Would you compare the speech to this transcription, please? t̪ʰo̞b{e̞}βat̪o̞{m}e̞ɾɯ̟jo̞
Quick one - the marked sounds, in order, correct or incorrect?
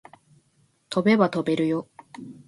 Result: correct, incorrect: b

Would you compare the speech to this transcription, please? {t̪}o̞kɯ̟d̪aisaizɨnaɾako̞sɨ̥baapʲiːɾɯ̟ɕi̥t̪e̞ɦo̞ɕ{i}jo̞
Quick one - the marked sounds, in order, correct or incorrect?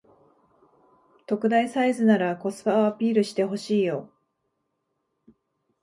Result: correct, incorrect: iː

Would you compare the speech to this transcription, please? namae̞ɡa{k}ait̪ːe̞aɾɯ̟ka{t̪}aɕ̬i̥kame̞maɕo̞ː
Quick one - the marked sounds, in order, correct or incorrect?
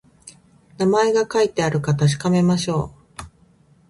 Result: correct, correct

